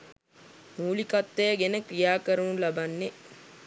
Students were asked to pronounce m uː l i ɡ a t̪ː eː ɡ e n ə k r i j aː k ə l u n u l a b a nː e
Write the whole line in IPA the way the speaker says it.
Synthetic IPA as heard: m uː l i k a t̪ː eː ɡ e n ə k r i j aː k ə ɾ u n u l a b a nː e